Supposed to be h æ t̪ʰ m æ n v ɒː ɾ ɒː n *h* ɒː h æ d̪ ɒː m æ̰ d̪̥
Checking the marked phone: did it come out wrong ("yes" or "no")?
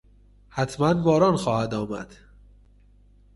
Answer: yes